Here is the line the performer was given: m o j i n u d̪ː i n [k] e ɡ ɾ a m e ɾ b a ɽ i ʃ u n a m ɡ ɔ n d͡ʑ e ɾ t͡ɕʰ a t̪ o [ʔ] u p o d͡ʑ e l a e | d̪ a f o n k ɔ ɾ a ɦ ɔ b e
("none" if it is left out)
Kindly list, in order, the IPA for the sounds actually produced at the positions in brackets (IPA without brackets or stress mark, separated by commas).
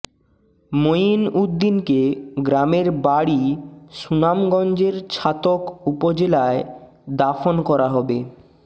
k, k